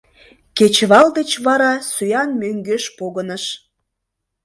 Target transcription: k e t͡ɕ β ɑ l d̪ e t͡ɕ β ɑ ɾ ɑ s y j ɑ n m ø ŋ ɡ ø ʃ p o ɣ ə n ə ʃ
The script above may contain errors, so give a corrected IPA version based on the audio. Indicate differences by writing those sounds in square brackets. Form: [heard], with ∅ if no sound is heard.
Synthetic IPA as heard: k e t͡ɕ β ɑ l d̪ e t͡ɕ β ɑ ɾ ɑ s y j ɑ n m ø ŋ ɡ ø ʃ p o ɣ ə n ə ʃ